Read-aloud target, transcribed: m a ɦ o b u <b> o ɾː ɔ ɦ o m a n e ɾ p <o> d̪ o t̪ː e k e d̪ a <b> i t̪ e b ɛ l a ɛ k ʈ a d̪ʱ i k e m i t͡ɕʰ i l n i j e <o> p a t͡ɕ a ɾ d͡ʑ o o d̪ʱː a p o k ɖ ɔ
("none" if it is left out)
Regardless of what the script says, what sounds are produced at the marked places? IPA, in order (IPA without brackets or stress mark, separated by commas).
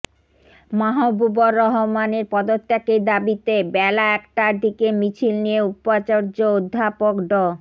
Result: b, ɔ, b, u